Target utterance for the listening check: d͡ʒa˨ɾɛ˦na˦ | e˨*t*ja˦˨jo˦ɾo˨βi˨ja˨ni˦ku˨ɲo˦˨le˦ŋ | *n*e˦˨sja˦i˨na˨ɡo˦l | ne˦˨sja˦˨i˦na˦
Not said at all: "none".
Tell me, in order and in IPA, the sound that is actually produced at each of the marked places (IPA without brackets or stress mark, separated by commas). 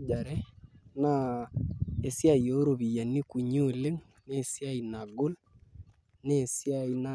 s, n